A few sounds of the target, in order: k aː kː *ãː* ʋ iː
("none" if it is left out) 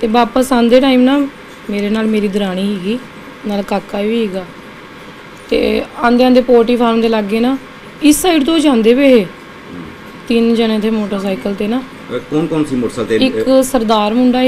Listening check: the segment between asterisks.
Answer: aː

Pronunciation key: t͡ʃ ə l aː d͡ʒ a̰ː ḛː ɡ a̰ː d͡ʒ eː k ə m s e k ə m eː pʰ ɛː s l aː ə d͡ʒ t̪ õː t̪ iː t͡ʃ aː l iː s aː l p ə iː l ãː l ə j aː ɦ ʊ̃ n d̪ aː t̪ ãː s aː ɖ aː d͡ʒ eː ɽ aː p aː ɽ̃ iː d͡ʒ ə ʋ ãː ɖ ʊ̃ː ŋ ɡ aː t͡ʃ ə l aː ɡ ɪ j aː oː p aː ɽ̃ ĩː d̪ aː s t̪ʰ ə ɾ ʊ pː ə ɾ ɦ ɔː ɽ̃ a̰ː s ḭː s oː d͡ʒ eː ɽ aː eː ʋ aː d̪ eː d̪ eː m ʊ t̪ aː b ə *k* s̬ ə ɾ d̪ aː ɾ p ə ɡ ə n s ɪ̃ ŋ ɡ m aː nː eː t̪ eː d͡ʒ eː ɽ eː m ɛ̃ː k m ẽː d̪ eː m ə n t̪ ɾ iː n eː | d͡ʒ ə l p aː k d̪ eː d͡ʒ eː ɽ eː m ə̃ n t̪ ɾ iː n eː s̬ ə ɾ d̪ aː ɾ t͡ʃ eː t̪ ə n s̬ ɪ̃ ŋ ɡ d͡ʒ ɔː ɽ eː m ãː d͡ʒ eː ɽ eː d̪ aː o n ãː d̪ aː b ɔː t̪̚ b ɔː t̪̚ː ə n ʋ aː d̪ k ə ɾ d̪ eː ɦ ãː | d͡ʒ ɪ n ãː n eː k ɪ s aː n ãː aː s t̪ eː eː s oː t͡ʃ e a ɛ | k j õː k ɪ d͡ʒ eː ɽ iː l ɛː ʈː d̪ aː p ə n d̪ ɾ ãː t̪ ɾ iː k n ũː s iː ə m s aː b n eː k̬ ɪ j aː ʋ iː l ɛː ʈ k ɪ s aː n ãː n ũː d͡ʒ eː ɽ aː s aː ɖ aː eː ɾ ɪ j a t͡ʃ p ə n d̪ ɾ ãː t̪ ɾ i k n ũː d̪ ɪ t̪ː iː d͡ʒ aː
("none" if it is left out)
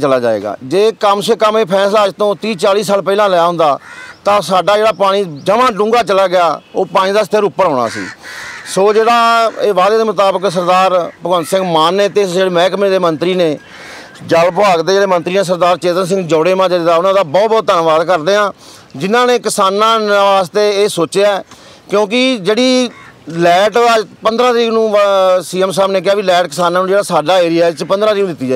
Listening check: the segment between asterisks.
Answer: k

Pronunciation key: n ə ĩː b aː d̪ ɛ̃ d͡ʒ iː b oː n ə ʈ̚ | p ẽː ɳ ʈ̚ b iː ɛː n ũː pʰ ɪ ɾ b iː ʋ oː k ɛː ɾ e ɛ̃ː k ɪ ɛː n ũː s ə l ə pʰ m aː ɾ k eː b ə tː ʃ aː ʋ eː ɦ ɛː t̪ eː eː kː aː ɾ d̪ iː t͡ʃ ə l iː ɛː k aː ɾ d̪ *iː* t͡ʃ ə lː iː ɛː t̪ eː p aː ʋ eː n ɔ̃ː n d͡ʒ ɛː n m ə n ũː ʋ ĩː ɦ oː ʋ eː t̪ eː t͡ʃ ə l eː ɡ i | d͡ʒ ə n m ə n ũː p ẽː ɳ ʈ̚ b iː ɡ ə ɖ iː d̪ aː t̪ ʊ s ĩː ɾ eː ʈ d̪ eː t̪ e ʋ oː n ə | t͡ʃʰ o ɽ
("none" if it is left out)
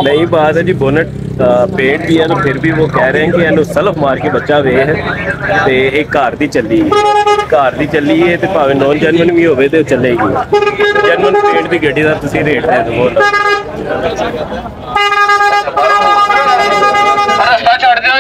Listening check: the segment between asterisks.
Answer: iː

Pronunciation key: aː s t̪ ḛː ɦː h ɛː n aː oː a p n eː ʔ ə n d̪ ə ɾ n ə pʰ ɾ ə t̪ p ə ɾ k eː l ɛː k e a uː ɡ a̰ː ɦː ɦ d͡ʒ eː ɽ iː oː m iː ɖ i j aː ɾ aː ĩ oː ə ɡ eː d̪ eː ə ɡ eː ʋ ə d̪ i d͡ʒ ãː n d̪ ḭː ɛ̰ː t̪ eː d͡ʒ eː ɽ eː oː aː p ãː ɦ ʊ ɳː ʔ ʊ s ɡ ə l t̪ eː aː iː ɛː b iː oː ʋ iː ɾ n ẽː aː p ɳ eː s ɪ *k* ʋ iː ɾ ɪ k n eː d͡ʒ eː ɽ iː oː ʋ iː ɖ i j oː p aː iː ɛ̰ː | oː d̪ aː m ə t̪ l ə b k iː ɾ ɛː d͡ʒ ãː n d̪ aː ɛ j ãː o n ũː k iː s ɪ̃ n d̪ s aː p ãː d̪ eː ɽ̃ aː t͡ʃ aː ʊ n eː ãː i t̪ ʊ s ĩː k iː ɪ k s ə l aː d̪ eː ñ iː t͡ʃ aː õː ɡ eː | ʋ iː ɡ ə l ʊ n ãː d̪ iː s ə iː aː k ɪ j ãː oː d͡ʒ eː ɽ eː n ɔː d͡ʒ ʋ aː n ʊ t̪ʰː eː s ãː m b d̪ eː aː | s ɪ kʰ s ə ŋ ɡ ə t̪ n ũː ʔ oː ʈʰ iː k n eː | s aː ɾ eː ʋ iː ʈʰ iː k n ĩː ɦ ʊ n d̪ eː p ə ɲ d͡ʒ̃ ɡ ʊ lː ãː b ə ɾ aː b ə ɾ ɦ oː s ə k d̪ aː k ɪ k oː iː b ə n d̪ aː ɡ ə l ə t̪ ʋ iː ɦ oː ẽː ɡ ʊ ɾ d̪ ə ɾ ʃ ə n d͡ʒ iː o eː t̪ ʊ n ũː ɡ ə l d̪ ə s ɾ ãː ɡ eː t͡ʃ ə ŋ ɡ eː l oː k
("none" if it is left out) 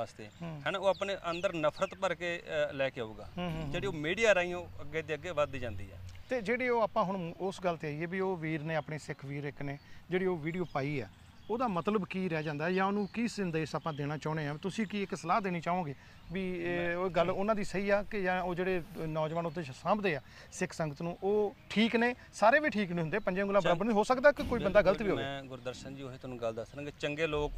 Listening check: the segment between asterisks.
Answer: kʰ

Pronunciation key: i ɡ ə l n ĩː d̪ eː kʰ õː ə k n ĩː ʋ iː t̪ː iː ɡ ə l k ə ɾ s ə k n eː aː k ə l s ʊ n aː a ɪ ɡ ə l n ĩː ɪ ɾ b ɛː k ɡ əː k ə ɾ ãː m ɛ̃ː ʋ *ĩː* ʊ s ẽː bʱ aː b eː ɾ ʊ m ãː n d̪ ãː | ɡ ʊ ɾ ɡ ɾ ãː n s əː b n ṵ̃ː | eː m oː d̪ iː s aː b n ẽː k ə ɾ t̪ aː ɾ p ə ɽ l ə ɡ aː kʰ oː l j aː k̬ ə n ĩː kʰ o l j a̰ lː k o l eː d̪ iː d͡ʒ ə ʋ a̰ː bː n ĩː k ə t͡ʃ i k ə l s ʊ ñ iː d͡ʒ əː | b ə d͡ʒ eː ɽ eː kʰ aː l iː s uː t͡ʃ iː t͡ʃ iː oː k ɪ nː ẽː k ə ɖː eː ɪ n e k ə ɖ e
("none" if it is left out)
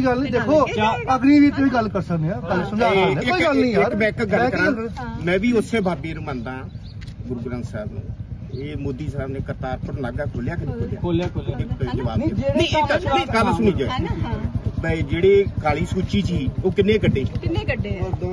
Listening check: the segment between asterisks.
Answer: iː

